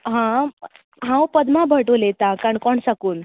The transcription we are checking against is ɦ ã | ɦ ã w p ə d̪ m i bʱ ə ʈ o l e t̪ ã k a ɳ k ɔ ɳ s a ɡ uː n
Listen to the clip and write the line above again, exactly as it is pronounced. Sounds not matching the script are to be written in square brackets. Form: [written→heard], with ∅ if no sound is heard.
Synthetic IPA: ɦ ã | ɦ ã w p ə d̪ m [i→a] bʱ ə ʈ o l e t̪ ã k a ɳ k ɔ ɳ s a [ɡ→k] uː n